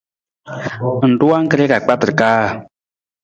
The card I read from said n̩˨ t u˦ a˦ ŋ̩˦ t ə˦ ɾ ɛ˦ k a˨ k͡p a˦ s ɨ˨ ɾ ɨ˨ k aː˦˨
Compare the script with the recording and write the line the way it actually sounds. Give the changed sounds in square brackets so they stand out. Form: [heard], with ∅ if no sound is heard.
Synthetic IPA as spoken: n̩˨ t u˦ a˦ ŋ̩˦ [k] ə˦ ɾ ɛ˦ k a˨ k͡p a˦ [t] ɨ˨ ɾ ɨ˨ k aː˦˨